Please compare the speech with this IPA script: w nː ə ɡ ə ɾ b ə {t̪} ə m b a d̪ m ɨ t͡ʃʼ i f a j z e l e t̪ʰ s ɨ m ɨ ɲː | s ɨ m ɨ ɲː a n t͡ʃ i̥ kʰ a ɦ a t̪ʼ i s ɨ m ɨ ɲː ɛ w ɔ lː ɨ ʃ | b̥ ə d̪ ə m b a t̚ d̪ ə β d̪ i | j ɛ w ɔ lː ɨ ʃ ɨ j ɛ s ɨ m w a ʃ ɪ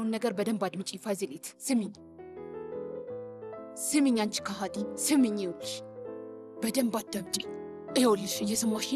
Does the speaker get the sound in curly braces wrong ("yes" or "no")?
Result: yes